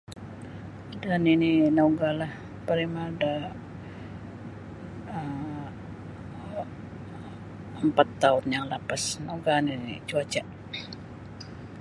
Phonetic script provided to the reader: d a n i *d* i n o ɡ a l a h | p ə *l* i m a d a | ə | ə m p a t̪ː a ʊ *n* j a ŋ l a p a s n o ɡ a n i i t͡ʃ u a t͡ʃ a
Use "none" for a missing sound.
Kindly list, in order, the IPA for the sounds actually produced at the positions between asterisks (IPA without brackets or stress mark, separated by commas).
n, ɾ, n